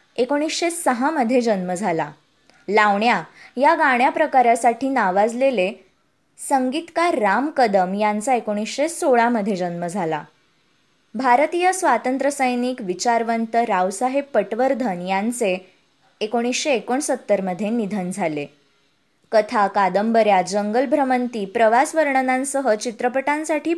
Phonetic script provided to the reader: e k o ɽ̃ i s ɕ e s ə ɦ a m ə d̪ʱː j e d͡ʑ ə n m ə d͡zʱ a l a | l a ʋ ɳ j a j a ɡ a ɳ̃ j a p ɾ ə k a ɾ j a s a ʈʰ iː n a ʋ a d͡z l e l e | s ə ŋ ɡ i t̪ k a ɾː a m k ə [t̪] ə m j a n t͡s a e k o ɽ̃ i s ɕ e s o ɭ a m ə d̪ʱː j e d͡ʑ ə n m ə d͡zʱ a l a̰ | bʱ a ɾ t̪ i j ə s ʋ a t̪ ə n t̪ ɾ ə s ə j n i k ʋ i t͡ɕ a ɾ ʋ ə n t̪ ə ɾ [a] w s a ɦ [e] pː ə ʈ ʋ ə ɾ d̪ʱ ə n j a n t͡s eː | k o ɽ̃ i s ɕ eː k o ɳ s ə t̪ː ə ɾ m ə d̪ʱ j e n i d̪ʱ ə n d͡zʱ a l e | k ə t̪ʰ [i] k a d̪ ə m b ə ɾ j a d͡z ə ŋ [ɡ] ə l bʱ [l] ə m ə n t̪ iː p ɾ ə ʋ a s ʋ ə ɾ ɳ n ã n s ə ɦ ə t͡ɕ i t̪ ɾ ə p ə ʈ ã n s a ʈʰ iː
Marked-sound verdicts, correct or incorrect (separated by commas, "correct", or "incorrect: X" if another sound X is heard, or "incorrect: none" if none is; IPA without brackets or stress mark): incorrect: d̪, correct, correct, incorrect: a, correct, incorrect: ɾ